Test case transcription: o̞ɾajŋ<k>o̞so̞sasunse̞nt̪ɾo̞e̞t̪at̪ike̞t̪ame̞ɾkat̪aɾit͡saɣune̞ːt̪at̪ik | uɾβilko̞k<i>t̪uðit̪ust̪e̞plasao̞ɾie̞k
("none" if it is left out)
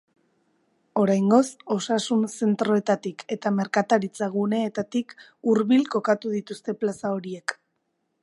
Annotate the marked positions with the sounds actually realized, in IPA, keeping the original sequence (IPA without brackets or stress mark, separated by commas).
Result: ɡ, a